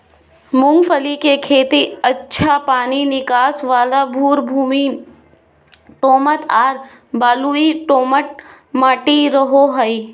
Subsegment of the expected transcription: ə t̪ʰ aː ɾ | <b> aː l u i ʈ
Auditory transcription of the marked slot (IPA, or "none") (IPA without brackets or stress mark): b